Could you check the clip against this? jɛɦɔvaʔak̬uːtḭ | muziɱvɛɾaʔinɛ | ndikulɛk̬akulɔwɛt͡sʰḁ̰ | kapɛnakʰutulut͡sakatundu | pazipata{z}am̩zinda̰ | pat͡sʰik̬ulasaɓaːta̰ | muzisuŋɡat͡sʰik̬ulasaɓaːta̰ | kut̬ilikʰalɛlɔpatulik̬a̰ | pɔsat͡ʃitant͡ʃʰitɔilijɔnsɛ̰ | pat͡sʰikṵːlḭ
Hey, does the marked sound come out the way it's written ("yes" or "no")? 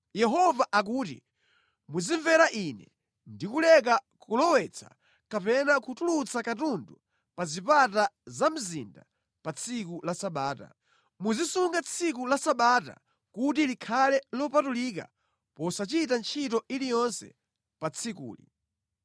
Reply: yes